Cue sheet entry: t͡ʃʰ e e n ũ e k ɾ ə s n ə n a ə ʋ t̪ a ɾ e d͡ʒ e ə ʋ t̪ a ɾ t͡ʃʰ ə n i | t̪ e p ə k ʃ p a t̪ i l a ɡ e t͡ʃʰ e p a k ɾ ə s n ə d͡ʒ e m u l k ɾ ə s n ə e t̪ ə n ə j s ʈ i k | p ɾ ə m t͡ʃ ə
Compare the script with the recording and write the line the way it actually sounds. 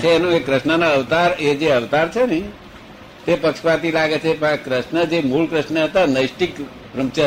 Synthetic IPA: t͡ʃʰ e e n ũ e k ɾ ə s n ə n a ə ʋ t̪ a ɾ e d͡ʒ e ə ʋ t̪ a ɾ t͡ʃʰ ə n i | t̪ e p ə k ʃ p a t̪ i l a ɡ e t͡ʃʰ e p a k ɾ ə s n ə d͡ʒ e m u l k ɾ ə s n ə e t̪ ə n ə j s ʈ i k | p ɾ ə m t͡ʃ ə